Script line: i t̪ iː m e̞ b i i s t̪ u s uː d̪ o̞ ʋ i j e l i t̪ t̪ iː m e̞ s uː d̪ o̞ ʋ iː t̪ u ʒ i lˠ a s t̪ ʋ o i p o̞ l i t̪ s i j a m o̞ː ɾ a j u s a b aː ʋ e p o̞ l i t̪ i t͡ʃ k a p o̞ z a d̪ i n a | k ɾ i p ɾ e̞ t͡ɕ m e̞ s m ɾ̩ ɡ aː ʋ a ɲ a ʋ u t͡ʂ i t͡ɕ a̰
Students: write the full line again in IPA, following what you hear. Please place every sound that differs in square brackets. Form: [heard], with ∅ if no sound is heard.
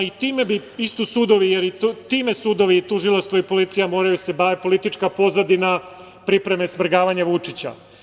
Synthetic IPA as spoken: i t̪ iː m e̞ b i i s t̪ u s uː d̪ o̞ ʋ i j e [ɾ] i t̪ t̪ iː m e̞ s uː d̪ o̞ ʋ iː t̪ u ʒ i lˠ a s t̪ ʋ o i p o̞ l i t̪ s i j a m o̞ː ɾ a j u s [e] b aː ʋ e p o̞ l i t̪ i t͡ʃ k a p o̞ z a d̪ i n a | [p] ɾ i p ɾ e̞ [∅] m e̞ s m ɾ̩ ɡ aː ʋ a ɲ a ʋ u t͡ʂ i t͡ɕ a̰